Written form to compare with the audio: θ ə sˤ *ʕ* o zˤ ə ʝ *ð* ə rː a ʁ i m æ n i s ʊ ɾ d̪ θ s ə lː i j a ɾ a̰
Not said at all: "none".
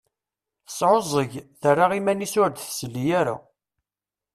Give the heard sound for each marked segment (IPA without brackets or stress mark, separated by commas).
ʕ, θ